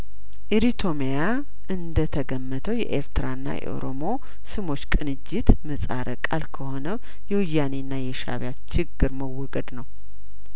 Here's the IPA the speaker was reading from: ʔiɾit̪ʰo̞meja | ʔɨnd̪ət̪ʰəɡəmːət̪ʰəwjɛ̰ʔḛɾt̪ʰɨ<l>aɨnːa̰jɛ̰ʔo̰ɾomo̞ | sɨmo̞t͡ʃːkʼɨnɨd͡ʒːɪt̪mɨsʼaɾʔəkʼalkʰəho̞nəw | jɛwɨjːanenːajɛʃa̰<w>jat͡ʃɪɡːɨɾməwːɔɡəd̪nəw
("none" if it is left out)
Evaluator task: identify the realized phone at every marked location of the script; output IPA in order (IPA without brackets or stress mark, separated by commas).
ɾ, β